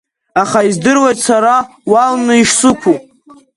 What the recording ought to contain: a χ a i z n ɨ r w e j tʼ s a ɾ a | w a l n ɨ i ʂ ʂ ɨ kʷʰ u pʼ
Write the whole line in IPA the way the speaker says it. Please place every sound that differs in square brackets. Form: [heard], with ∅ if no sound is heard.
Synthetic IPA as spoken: a χ a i z [d] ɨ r w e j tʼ s a ɾ a | w a l n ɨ i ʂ [s] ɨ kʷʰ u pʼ